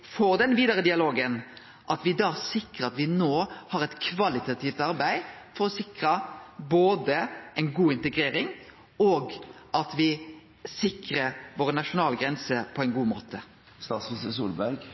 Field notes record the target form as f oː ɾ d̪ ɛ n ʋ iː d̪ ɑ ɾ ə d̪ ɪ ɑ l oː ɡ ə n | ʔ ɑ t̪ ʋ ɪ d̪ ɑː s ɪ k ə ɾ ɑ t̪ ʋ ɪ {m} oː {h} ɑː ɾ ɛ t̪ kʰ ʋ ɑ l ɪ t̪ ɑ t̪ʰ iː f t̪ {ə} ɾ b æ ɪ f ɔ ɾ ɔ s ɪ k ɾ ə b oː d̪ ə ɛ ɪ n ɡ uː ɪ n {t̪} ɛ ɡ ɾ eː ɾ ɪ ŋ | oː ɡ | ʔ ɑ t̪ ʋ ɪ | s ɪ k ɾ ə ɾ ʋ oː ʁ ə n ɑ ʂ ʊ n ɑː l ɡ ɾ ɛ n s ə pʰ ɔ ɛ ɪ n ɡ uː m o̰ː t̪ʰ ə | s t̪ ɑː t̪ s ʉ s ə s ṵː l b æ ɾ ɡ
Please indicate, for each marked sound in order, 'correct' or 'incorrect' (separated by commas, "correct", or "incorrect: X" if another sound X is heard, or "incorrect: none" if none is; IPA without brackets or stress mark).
incorrect: n, correct, incorrect: ɑ, correct